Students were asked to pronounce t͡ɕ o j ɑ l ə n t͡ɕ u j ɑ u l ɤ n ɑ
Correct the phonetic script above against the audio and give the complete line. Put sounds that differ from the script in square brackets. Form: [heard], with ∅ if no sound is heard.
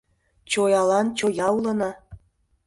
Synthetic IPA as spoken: t͡ɕ o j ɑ l [ɑ] n t͡ɕ [o] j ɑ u l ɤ n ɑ